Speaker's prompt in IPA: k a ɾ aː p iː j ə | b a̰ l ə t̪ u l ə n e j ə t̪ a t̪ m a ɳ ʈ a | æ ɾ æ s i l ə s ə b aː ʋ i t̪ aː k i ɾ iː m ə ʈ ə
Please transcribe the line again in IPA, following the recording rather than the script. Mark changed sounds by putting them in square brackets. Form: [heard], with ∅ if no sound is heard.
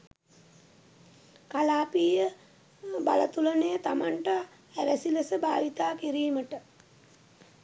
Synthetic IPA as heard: k a [l] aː p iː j ə | b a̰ l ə t̪ u l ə n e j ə t̪ a [∅] m a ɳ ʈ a | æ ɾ æ s i l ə s ə b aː ʋ i t̪ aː k i ɾ iː m ə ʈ ə